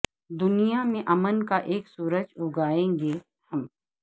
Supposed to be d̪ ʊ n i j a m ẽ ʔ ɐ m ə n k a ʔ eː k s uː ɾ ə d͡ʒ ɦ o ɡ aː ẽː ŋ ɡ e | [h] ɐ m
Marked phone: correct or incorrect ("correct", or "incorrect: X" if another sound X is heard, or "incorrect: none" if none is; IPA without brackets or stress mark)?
correct